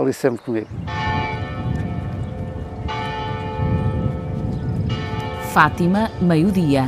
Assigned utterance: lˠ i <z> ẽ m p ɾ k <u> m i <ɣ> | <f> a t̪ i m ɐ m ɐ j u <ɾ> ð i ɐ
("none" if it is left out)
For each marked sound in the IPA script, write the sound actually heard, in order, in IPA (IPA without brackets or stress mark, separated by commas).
s, u, ɣ, f, none